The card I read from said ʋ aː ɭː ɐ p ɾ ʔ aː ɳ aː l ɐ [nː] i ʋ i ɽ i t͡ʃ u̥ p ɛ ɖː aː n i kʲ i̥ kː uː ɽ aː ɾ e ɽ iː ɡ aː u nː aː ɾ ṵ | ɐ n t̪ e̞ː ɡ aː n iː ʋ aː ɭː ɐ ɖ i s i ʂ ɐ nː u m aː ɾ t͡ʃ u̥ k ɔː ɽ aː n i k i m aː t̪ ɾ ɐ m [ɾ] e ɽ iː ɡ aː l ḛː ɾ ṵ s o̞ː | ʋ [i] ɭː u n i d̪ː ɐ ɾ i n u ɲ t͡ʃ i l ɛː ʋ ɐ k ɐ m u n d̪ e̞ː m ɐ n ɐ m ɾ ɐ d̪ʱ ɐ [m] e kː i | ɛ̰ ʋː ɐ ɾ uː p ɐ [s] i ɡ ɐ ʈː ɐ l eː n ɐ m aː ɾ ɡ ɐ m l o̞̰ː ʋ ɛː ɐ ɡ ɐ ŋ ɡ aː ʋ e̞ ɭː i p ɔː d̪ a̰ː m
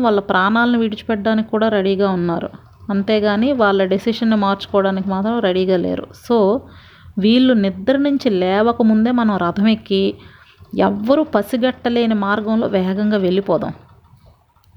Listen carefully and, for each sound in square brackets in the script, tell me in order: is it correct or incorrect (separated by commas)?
incorrect, correct, incorrect, correct, correct